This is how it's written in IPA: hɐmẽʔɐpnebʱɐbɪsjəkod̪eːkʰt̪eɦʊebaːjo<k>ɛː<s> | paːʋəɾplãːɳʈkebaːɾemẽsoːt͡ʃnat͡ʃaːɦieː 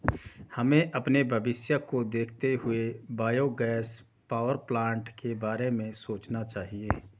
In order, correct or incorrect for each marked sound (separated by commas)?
incorrect, correct